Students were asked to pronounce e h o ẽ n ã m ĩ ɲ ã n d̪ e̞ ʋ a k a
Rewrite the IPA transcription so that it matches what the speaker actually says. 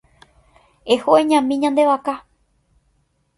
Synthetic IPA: e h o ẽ ɲ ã m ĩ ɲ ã n d̪ e̞ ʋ a k a